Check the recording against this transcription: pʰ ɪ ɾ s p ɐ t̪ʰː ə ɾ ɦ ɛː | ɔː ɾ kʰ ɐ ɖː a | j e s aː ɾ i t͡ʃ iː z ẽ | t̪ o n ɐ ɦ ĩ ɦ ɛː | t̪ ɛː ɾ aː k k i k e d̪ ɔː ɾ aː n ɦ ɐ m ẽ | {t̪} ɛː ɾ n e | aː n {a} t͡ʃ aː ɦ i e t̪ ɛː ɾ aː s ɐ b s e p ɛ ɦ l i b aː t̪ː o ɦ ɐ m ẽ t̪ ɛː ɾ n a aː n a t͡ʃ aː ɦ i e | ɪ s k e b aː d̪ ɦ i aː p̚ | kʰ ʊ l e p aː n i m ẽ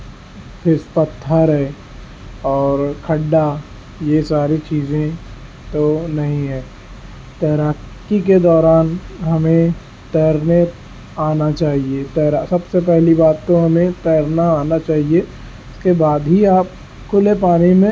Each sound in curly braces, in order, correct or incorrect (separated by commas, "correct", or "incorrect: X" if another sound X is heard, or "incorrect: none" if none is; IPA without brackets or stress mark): correct, correct